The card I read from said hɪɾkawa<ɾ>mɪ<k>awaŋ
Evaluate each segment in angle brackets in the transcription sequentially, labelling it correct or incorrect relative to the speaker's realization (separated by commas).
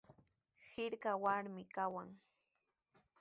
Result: correct, correct